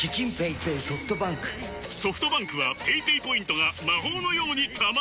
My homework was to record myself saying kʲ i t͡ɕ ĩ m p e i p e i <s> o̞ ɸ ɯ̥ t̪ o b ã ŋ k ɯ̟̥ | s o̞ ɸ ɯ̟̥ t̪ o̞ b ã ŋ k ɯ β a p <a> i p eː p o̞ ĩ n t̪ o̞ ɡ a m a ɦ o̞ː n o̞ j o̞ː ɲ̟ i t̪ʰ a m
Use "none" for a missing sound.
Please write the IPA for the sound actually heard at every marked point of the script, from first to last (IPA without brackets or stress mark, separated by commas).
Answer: s, e